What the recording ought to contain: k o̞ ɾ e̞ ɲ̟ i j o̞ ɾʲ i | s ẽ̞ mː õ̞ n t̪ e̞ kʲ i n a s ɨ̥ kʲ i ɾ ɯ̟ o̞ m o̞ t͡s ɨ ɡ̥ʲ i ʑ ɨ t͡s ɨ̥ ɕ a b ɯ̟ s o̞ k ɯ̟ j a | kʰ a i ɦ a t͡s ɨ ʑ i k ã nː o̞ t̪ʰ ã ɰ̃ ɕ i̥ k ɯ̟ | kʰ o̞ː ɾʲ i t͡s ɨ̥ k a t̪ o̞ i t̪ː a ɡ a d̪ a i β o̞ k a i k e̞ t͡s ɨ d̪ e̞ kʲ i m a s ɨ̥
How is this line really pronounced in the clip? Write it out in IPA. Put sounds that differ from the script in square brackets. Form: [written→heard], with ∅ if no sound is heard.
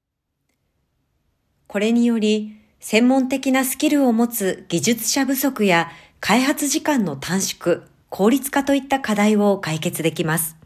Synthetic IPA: k o̞ ɾ e̞ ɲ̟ i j o̞ ɾʲ i | s ẽ̞ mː õ̞ n t̪ e̞ kʲ i n a s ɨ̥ kʲ i ɾ ɯ̟ o̞ m o̞ t͡s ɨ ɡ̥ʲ i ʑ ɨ t͡s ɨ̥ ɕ a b ɯ̟ s o̞ k ɯ̟ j a | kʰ a i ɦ a t͡s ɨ ʑ i k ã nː o̞ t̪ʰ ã ɰ̃ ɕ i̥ k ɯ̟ | kʰ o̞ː ɾʲ i t͡s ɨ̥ k a t̪ o̞ i t̪ː a [ɡ→k] a d̪ a i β o̞ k a i k e̞ t͡s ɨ d̪ e̞ kʲ i m a s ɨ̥